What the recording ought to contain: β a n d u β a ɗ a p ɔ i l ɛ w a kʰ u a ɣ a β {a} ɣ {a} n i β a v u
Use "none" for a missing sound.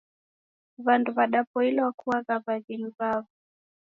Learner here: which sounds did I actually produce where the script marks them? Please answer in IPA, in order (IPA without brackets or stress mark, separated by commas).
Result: a, i